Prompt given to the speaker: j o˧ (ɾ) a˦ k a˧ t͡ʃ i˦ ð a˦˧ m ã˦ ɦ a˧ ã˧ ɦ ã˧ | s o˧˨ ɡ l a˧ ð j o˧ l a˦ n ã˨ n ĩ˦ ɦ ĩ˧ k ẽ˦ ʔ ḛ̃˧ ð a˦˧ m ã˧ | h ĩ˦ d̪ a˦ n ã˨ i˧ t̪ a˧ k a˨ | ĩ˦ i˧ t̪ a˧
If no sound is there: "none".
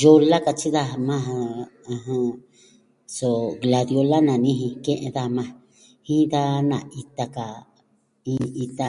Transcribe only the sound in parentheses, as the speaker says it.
l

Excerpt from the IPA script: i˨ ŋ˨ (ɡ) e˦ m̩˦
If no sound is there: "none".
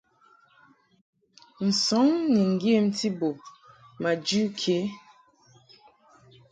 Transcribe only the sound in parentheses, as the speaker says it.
ɡ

